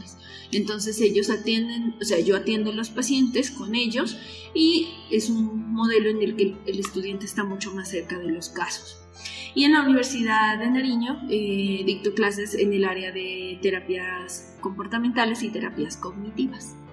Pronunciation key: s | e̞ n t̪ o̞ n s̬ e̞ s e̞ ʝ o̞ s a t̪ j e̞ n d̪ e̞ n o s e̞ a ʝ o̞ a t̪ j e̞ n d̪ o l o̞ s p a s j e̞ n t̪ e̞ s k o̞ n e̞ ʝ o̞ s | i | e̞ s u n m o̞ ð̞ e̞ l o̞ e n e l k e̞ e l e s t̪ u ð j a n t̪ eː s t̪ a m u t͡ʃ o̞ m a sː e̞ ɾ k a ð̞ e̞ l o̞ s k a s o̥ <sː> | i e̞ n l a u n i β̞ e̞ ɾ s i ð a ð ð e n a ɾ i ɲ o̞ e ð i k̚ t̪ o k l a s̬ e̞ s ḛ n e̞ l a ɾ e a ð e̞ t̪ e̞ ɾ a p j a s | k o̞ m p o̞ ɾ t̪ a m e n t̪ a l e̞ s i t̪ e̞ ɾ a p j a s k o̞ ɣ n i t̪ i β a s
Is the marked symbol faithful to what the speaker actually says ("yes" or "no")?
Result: no